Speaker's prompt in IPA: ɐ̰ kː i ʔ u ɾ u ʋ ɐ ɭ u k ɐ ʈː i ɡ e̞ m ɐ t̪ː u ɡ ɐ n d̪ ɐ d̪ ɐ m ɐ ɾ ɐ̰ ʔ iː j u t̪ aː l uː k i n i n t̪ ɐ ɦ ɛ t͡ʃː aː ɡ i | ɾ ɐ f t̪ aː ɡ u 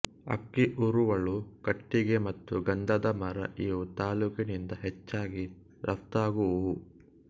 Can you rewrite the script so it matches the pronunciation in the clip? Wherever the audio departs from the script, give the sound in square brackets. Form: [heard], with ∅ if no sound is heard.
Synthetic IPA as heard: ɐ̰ kː i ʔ u ɾ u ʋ ɐ ɭ u k ɐ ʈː i ɡ e̞ m ɐ t̪ː u ɡ ɐ n d̪ ɐ d̪ ɐ m ɐ ɾ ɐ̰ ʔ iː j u t̪ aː l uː k i n i n [d̪] ɐ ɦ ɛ t͡ʃː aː ɡ i | ɾ ɐ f t̪ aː ɡ u